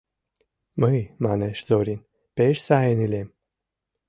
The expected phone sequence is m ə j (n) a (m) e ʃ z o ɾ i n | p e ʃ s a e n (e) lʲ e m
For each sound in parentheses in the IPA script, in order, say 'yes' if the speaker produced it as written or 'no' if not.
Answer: no, no, no

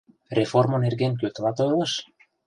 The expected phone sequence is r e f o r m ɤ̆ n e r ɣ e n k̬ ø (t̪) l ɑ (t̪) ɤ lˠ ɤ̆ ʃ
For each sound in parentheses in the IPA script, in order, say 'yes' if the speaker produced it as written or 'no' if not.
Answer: yes, yes

